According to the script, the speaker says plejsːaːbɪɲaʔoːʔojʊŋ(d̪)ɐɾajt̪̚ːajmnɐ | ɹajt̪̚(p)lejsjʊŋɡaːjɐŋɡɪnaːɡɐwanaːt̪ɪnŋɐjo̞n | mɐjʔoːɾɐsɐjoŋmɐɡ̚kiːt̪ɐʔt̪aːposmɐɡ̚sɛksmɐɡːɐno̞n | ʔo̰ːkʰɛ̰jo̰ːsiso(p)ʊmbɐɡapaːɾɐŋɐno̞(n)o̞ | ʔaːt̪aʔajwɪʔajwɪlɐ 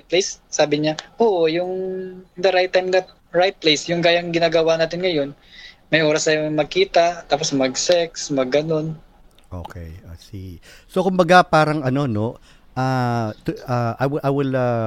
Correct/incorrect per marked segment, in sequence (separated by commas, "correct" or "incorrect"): correct, correct, incorrect, correct